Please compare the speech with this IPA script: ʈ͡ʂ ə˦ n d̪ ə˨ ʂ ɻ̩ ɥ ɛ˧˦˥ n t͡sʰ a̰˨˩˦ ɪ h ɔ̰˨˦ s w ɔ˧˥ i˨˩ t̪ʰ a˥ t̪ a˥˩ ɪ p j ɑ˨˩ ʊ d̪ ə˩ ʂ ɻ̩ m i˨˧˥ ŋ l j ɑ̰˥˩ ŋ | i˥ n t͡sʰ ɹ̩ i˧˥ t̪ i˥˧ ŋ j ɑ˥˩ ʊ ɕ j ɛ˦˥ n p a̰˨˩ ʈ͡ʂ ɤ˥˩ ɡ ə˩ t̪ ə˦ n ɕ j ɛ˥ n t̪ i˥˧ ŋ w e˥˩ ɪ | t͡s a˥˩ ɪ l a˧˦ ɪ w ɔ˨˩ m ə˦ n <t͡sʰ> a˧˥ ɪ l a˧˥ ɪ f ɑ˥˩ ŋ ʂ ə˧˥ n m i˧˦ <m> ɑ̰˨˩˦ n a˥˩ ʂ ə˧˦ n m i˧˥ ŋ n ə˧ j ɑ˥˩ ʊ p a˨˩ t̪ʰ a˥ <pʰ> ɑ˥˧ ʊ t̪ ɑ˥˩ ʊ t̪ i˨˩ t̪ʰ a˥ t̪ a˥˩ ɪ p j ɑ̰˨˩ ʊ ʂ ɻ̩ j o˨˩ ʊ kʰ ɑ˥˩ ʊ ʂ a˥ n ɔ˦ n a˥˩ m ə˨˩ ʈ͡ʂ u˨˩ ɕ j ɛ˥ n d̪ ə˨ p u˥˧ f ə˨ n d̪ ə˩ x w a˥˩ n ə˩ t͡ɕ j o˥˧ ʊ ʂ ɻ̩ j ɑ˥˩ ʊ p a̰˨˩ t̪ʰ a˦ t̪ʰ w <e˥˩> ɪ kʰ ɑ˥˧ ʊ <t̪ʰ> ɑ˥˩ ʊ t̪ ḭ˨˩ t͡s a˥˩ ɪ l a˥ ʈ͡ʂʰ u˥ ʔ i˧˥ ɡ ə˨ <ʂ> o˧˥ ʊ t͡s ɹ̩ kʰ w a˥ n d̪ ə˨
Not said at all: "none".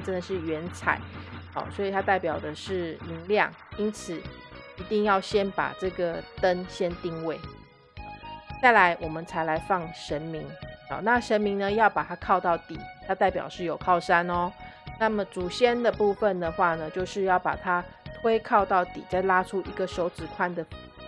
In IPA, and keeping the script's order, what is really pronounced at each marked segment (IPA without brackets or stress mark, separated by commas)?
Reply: t͡sʰ, ŋ, kʰ, e˥, t̪, ʂ